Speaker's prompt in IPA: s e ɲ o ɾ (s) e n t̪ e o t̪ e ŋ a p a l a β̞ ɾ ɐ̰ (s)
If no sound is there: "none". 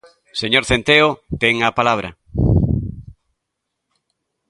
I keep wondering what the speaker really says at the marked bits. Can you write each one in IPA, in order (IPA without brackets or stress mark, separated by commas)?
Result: θ, none